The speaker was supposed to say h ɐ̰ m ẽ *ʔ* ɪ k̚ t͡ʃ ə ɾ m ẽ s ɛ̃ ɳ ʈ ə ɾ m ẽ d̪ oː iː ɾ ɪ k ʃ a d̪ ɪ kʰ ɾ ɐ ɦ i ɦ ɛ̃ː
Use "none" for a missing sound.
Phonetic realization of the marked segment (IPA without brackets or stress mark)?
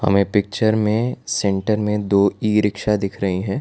p